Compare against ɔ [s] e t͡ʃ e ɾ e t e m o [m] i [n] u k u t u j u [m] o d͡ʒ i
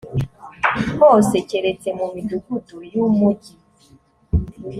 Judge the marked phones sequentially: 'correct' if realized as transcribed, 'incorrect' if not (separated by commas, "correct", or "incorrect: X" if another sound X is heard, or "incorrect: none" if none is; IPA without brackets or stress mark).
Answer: correct, correct, incorrect: d, correct